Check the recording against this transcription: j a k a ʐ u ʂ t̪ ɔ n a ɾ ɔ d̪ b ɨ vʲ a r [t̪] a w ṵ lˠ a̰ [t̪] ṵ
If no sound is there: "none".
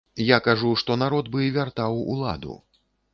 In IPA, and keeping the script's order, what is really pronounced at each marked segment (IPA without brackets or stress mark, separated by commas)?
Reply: t̪, d̪